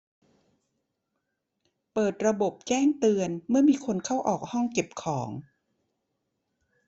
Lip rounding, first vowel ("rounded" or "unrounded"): unrounded